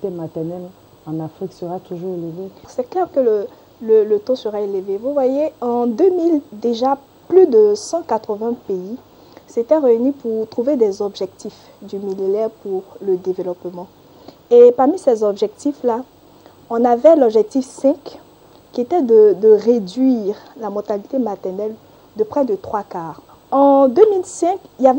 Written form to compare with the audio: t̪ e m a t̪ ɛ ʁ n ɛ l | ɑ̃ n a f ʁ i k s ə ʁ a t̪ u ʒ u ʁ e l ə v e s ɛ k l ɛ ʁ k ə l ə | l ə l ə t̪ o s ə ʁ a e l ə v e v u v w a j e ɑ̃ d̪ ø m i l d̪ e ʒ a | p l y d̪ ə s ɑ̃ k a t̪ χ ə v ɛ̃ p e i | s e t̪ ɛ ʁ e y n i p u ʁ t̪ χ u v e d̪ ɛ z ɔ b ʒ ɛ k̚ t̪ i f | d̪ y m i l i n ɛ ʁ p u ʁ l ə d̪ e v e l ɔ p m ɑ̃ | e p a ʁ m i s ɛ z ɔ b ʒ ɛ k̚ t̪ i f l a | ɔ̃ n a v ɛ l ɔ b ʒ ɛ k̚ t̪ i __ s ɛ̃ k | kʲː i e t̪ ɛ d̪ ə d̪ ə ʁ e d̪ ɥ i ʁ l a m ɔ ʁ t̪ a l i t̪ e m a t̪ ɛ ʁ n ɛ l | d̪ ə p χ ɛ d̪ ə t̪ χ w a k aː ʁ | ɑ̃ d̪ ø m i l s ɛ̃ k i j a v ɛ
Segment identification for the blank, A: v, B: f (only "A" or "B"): B